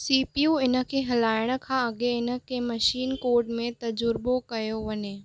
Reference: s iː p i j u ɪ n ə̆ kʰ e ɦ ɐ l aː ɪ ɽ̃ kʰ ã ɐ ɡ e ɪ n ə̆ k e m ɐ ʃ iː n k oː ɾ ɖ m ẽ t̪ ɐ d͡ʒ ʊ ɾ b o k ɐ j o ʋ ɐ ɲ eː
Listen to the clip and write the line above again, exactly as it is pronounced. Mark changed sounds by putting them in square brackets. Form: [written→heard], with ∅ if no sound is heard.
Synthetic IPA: s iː p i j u ɪ n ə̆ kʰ e ɦ ɐ l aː ɪ ɽ̃ kʰ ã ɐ ɡ e ɪ n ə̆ k e m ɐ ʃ iː n k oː ɾ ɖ m ẽ t̪ ɐ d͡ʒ ʊ ɾ b o k ɐ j o ʋ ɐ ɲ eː